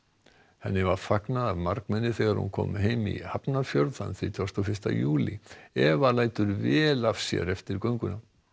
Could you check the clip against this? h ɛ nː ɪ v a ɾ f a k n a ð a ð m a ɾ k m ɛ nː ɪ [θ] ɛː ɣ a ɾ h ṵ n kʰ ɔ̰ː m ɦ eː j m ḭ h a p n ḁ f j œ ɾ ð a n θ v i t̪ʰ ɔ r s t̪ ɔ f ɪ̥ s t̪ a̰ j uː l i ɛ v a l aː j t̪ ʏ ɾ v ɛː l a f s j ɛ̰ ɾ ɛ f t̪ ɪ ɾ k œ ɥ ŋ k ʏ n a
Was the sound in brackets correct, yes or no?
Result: yes